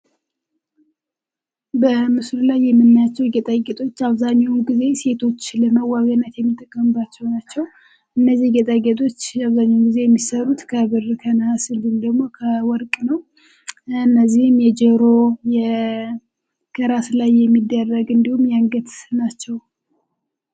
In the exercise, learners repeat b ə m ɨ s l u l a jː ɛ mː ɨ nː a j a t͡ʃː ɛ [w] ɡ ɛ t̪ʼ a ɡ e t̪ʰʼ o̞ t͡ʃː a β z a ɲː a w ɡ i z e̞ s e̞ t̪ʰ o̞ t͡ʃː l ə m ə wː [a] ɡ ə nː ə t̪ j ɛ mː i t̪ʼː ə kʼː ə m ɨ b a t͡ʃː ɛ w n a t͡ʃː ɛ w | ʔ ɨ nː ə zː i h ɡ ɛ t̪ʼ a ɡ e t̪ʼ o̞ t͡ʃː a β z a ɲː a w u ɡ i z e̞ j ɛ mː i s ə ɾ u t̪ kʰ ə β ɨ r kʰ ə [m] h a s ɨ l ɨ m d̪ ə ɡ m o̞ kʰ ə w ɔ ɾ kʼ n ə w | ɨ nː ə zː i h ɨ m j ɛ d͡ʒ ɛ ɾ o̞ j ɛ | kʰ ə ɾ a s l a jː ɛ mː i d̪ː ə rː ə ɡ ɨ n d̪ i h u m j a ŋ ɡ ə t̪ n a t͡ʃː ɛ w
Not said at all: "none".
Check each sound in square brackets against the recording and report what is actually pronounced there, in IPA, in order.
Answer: w, a, n

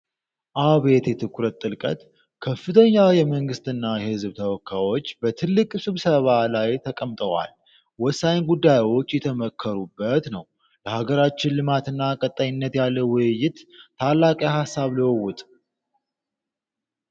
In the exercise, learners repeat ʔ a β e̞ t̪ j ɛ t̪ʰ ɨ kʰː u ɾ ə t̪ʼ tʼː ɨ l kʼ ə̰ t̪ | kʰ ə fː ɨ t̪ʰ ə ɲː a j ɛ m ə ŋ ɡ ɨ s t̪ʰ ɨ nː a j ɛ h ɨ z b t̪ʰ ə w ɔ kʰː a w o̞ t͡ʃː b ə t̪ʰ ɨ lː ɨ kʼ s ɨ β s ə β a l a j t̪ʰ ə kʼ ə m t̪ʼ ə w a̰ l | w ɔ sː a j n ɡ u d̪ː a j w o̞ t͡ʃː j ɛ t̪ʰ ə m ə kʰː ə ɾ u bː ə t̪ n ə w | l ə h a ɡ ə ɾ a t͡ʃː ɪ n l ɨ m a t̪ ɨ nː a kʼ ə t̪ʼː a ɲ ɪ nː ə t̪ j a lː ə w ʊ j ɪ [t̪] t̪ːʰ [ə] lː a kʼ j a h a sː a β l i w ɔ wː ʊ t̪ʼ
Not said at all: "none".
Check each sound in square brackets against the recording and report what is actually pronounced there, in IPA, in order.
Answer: t̪, a

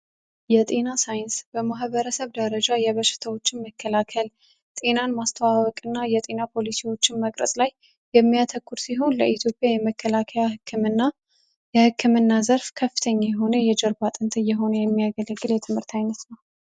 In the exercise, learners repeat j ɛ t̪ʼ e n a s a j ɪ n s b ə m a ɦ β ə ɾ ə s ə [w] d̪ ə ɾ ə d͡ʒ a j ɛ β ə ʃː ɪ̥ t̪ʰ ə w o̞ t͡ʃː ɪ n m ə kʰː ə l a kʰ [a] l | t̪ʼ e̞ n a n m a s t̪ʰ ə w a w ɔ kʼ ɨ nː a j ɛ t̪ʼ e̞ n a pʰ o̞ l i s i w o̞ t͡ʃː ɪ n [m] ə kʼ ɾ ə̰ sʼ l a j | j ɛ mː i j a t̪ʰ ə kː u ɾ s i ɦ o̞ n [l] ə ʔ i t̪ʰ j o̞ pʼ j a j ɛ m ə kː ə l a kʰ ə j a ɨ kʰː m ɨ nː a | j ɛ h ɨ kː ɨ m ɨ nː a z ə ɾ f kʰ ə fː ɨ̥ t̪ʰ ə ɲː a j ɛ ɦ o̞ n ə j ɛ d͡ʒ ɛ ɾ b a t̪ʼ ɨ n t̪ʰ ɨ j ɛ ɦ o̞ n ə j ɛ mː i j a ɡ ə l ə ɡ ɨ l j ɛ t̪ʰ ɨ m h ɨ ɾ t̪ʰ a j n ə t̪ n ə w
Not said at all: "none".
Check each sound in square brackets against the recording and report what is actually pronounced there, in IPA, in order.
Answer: β, ə, m, l

